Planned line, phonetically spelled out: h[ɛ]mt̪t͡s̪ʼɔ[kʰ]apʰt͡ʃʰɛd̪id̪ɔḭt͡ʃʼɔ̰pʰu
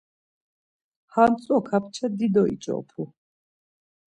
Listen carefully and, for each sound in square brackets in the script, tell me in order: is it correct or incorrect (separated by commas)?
incorrect, correct